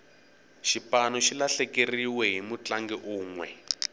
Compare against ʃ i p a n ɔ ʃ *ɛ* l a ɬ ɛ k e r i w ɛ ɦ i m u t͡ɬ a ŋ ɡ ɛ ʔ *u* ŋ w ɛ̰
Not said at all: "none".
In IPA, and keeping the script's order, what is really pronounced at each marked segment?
i, uː

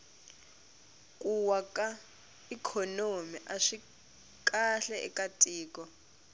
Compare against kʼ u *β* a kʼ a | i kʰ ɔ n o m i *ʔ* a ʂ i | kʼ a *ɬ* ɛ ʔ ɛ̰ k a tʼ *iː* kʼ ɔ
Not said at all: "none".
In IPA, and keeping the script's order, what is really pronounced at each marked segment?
w, ʔ, ɬ, iː

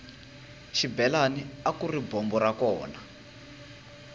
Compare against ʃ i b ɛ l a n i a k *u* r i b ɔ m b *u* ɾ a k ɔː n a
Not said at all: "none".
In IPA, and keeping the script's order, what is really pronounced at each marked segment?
u, ɔ

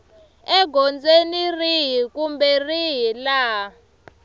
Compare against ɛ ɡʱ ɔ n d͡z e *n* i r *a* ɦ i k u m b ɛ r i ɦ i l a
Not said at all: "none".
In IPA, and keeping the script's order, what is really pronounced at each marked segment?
n, i

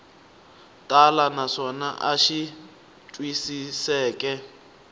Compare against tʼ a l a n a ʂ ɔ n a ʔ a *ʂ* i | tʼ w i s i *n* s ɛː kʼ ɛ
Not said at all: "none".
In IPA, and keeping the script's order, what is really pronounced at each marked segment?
ʃ, none

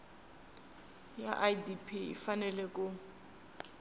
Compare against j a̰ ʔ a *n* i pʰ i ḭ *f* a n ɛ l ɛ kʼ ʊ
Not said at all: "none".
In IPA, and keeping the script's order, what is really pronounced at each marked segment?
d, f

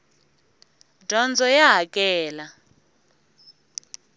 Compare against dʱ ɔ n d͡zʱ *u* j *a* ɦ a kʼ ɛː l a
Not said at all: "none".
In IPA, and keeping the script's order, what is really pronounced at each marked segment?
ɔ, a

